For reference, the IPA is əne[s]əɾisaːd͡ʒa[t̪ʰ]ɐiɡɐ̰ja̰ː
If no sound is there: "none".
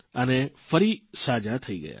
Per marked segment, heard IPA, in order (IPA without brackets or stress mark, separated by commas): f, t̪ʰ